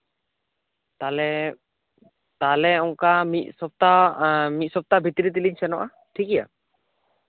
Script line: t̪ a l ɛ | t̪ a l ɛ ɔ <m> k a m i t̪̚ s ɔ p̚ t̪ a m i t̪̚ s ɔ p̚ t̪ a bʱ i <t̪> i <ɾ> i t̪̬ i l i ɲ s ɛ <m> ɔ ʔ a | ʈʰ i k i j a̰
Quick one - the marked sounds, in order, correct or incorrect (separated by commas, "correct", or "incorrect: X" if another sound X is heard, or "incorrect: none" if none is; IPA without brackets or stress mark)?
incorrect: ŋ, correct, correct, incorrect: n